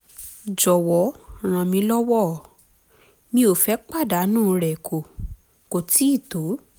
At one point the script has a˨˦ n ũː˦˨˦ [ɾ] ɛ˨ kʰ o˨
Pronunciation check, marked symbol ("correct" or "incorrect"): correct